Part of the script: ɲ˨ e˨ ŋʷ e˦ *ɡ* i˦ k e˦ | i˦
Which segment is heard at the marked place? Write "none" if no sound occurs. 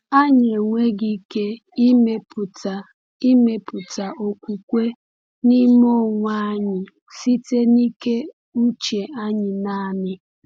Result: ɡ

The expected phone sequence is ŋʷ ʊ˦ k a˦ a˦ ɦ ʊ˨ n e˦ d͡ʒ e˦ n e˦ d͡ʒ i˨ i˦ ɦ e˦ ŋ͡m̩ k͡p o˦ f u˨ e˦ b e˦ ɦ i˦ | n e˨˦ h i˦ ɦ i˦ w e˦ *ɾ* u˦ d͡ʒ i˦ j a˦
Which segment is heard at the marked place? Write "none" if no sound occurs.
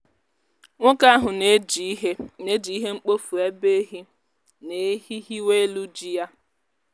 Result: l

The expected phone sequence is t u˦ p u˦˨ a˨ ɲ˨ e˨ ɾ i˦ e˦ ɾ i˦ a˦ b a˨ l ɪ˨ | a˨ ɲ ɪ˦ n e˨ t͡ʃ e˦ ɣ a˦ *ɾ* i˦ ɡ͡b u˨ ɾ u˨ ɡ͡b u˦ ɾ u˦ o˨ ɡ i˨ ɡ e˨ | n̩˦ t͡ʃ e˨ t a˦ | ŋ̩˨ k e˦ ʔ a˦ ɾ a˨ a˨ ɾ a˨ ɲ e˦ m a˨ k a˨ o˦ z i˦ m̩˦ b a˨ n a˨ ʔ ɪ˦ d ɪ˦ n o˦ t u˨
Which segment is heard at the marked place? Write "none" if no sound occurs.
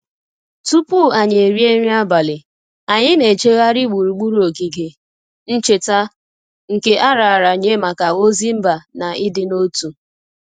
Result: ɾ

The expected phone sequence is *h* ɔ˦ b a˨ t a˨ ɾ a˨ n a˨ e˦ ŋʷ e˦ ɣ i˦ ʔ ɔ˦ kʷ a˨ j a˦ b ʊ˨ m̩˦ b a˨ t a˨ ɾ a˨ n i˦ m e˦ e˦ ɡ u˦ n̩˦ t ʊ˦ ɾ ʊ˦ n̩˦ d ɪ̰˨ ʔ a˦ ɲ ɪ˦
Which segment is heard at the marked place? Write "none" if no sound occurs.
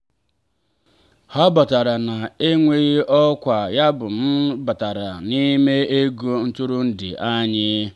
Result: h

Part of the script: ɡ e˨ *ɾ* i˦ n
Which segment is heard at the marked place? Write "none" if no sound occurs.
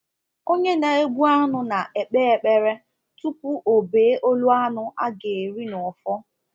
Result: ɾ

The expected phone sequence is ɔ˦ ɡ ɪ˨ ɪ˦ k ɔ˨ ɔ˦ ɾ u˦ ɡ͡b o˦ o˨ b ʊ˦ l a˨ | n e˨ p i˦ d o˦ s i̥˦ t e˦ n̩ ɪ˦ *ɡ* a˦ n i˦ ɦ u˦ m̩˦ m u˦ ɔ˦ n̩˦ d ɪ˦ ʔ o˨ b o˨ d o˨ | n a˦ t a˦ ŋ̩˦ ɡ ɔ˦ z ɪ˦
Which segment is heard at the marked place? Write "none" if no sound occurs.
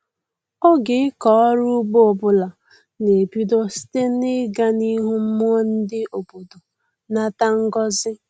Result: ɡ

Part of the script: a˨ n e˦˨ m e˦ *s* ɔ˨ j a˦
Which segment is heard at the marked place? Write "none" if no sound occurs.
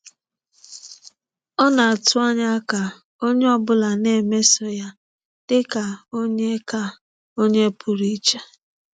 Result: s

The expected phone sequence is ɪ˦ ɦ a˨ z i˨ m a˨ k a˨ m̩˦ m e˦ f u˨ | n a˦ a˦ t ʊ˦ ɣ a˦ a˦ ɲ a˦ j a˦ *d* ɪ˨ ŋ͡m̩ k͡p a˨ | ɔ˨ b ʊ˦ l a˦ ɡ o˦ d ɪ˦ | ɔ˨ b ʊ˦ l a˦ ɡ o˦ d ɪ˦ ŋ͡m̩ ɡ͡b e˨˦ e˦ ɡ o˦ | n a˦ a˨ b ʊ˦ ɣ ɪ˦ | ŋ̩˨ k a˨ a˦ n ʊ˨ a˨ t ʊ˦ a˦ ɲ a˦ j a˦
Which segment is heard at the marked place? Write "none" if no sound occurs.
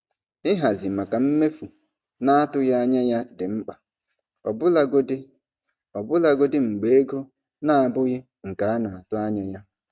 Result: d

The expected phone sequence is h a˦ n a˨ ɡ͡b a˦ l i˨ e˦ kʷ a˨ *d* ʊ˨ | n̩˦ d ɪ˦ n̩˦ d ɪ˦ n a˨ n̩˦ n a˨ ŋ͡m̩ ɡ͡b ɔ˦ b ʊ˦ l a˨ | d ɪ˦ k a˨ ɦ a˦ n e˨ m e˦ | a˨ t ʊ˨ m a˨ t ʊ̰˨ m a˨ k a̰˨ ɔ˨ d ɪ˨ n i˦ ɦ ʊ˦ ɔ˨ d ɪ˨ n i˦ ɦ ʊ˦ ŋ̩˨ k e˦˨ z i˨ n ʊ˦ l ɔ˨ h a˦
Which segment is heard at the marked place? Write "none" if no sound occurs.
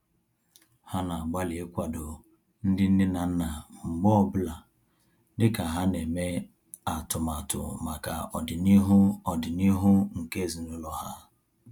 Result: d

